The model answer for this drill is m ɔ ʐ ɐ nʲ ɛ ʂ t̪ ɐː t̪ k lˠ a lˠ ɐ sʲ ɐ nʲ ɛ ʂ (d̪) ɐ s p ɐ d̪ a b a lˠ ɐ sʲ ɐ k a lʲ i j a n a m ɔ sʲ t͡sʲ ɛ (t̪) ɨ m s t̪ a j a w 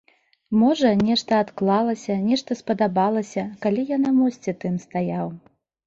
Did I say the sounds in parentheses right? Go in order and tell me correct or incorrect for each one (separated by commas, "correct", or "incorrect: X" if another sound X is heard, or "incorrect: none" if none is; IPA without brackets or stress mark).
incorrect: t̪, correct